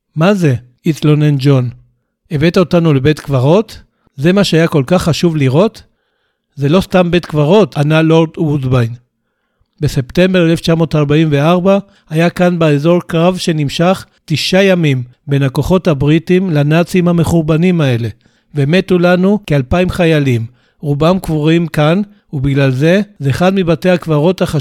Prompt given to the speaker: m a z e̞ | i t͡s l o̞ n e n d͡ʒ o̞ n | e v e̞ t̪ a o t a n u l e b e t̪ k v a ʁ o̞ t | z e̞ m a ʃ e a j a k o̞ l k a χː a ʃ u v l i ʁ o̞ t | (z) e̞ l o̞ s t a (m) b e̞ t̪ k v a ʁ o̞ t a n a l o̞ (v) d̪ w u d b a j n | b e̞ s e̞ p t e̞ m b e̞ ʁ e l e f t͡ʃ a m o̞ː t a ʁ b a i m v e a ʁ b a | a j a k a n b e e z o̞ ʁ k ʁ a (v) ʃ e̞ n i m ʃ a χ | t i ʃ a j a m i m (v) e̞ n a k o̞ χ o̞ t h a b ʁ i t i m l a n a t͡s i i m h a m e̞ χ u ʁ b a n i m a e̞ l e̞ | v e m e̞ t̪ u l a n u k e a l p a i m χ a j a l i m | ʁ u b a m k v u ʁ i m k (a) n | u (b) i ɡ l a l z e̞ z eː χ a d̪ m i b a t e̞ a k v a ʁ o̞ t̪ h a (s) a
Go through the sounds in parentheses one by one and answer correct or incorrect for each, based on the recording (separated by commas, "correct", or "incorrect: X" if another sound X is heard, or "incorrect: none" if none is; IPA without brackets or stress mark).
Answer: correct, correct, incorrect: ʁ, correct, incorrect: b, correct, correct, incorrect: χ